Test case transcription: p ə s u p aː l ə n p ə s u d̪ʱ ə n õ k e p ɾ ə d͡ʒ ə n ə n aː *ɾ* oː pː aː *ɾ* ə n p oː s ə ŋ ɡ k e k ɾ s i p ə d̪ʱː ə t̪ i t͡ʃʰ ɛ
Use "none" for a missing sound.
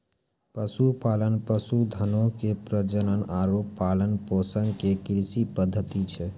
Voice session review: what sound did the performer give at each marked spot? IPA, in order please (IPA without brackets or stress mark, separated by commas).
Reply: ɾ, l